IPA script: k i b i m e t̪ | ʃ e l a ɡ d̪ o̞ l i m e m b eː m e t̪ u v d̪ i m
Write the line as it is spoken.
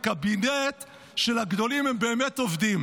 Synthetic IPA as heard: k a b i n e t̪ | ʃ e l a ɡ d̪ o̞ l i m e m b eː m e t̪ o v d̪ i m